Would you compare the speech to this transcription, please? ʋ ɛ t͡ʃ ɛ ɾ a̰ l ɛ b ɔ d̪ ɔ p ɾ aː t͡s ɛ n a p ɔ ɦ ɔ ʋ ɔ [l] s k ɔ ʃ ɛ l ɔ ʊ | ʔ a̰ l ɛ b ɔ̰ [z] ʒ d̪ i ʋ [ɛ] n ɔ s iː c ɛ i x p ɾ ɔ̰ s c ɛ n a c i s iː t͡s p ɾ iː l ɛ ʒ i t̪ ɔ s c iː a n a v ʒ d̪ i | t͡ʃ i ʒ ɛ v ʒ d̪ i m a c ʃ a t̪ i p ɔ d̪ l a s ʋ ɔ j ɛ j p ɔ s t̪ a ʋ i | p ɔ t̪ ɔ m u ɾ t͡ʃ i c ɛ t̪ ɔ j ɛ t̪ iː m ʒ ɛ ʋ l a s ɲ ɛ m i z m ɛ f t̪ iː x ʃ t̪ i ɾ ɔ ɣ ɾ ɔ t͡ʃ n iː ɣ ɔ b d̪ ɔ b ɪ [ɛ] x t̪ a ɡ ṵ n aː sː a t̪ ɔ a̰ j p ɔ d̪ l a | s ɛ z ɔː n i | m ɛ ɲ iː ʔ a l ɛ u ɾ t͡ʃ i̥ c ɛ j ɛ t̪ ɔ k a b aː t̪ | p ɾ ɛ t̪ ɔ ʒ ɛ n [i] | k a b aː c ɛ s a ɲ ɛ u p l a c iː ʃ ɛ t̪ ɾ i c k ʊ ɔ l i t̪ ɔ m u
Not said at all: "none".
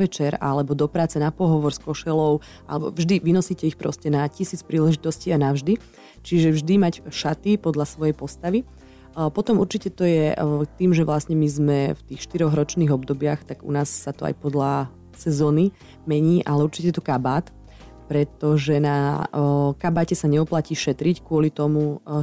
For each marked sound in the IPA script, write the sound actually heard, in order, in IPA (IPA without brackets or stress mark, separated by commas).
ɾ, v, i, a, a